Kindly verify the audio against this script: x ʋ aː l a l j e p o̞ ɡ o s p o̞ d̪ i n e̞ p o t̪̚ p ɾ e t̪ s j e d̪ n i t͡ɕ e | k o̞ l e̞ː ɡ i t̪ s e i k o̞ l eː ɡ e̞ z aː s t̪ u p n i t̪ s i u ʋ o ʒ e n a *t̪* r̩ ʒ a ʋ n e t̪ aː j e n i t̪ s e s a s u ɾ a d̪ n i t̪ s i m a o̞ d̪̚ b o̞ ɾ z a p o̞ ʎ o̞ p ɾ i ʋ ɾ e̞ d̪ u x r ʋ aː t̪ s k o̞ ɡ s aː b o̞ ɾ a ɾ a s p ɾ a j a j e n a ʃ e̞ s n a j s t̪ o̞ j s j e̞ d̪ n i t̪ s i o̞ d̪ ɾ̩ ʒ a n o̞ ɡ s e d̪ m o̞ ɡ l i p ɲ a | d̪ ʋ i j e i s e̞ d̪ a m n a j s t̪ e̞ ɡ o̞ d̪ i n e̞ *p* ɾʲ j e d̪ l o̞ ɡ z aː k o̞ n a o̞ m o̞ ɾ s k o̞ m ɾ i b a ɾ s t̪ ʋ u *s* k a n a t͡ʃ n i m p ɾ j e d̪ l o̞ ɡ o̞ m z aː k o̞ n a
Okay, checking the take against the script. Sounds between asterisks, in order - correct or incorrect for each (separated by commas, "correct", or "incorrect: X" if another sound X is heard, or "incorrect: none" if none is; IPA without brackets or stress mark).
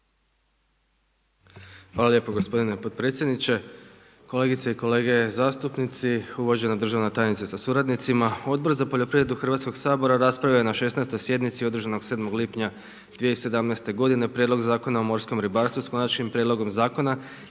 incorrect: d̪, correct, correct